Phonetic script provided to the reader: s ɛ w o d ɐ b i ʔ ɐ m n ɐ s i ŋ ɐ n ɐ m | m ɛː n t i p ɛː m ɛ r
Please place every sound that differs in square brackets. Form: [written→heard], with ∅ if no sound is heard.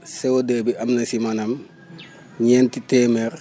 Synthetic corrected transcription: s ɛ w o d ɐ b i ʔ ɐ m n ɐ s i [ŋ→m] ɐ n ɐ m | [m→ɲ] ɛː n t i [p→t] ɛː m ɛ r